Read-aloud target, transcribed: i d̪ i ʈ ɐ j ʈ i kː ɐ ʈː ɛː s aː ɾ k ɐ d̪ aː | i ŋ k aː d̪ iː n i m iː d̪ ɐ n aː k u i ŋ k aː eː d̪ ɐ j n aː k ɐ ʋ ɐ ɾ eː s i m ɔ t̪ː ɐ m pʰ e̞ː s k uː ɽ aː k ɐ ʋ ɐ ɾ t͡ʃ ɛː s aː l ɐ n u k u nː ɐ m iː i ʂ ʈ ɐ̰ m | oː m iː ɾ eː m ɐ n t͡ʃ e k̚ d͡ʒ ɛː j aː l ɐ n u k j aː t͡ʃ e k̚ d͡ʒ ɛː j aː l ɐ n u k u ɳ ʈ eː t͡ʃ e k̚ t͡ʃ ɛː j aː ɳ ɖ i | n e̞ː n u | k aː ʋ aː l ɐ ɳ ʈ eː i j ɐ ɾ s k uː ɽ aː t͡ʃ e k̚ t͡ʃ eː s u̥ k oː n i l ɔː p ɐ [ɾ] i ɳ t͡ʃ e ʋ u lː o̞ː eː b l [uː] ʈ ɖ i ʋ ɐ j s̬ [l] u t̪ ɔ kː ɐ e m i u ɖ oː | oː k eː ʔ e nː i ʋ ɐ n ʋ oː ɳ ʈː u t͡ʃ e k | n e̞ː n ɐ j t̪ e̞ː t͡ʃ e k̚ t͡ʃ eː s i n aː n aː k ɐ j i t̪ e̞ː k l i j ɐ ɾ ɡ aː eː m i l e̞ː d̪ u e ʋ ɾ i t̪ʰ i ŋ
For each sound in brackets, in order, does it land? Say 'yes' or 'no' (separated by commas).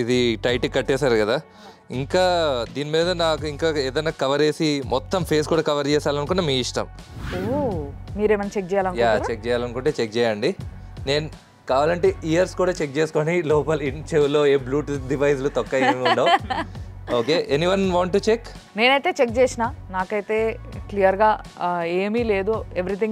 no, yes, yes